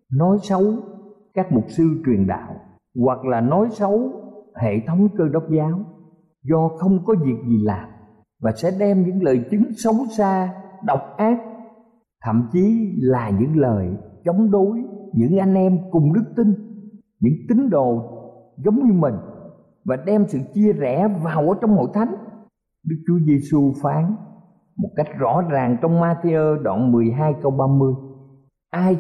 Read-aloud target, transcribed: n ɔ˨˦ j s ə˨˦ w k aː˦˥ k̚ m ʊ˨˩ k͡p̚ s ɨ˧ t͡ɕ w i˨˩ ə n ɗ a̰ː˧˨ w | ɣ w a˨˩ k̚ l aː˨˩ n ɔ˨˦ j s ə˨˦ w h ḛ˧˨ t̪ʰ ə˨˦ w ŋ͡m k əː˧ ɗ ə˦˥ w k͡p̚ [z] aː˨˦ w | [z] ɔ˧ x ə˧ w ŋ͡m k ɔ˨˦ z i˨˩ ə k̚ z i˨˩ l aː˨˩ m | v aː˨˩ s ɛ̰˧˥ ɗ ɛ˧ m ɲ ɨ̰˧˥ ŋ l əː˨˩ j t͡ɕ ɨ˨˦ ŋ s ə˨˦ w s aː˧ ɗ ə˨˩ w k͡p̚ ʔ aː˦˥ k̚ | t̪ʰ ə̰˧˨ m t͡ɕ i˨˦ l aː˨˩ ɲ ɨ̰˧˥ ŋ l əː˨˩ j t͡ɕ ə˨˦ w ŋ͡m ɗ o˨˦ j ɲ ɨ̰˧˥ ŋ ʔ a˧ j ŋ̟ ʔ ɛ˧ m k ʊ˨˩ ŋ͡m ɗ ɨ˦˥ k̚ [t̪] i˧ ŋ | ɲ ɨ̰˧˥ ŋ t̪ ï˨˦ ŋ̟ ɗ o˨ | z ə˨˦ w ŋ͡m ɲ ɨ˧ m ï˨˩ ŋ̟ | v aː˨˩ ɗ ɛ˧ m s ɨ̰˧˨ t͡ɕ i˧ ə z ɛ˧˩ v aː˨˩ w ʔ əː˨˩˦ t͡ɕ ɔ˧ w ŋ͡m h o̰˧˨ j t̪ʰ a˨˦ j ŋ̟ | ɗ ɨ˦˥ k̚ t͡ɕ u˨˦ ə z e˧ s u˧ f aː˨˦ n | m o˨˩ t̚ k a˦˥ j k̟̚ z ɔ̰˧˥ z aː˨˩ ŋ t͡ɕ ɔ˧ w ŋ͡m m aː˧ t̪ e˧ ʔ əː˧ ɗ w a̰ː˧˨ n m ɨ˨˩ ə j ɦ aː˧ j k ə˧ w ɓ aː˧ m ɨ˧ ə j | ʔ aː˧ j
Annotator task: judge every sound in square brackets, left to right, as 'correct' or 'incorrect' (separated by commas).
correct, correct, correct